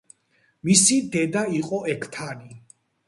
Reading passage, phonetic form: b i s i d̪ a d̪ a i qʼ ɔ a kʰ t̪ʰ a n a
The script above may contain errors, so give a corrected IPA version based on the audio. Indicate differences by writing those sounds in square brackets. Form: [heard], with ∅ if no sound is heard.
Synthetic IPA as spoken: [m] i s i d̪ [ɛ] d̪ a i qʼ ɔ [ɛ] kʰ t̪ʰ a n [i]